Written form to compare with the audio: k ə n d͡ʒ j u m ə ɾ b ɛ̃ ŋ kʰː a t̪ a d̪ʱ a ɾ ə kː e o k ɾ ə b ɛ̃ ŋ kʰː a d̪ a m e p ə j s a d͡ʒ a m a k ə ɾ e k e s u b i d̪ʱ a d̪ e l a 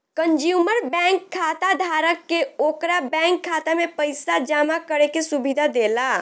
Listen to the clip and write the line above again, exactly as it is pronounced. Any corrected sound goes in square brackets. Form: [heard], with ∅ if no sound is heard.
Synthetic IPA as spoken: k ə n d͡ʒ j u m ə ɾ b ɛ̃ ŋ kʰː a t̪ a d̪ʱ a ɾ ə kː e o k ɾ [a] b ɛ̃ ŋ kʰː a [t̪] a m e p ə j s a d͡ʒ a m a k ə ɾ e k e s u b i d̪ʱ a d̪ e l a

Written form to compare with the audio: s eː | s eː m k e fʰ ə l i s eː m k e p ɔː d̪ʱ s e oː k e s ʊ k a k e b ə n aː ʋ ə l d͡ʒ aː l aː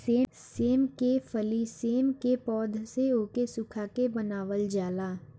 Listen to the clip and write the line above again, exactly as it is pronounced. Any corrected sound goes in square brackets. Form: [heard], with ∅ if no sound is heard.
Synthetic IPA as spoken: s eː | s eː m k e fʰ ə l i s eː m k e p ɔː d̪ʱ s e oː k e s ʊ [kʰ] a k e b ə n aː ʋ ə l d͡ʒ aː l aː

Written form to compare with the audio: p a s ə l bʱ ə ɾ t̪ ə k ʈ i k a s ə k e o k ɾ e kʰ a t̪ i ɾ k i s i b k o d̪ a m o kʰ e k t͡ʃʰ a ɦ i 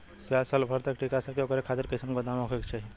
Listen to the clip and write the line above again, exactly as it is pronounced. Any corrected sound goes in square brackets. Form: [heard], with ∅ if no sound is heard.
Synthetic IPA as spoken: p a s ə l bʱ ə ɾ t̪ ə k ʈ i k a s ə k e o k ɾ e kʰ a t̪ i ɾ k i s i [m] k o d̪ a m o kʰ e k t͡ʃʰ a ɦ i

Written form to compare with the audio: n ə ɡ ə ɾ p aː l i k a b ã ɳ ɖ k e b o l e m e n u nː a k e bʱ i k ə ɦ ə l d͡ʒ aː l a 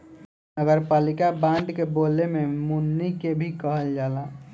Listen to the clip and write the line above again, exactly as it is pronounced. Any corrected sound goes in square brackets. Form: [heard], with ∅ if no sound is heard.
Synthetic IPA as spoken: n ə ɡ ə ɾ p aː l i k a b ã ɳ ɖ k e b o l e m e [m] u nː [i] k e bʱ i k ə ɦ ə l d͡ʒ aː l a

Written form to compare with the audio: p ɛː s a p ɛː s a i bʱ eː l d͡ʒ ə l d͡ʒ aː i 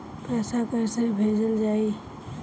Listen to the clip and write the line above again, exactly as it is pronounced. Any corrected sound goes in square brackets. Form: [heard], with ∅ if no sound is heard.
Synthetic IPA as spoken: p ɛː s a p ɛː s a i bʱ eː [∅] d͡ʒ ə l d͡ʒ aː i

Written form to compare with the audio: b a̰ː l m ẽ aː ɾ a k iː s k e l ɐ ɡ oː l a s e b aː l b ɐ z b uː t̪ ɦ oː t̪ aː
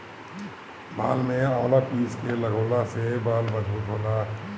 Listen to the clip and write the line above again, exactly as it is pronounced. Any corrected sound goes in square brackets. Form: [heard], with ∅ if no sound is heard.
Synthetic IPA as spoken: b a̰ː l m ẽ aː [l] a [p] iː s k e l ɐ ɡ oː l a s e b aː l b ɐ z b uː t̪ ɦ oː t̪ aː

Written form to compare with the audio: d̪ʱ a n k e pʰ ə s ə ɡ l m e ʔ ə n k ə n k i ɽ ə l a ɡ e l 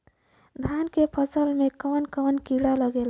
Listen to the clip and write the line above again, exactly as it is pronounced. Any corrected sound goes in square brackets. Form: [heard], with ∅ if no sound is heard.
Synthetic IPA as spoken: d̪ʱ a n k e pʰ ə s ə [∅] l m e [k] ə n k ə n k i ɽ [a] l [ə] ɡ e l

